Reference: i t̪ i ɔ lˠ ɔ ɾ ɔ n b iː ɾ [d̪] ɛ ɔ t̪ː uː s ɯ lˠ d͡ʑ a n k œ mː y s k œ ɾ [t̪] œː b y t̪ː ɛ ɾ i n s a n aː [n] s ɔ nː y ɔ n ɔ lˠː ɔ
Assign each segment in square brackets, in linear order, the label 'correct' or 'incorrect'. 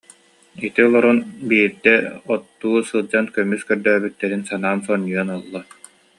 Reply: correct, incorrect: d̪, correct

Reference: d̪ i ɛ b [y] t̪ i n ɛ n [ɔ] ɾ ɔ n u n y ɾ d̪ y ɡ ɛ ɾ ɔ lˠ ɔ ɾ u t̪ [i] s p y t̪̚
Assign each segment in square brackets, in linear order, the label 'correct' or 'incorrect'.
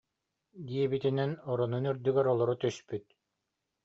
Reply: incorrect: i, correct, incorrect: y

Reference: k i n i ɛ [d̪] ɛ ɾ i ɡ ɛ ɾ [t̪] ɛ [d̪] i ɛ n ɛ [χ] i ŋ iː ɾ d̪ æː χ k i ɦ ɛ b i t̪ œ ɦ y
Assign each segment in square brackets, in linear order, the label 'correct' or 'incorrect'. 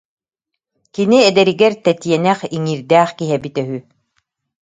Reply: correct, correct, incorrect: t̪, correct

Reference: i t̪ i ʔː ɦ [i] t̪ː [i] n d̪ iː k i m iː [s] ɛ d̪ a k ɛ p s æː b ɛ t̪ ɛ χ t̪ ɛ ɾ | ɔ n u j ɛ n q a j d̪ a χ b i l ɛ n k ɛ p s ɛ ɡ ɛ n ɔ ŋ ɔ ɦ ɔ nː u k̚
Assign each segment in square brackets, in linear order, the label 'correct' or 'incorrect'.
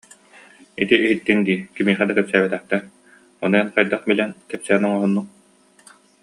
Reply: correct, correct, incorrect: χ

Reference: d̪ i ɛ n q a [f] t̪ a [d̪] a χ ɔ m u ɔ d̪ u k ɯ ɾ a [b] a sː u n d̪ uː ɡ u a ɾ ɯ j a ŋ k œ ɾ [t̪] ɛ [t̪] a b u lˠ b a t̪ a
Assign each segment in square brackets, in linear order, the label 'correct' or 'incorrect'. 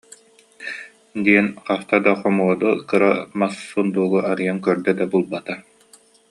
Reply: correct, correct, incorrect: m, incorrect: d̪, incorrect: d̪

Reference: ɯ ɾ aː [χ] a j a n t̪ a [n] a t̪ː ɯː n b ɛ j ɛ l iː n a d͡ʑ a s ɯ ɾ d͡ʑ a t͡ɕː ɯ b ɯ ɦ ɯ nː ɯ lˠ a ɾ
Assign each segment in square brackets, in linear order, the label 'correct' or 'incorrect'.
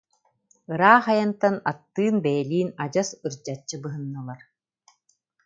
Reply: correct, correct

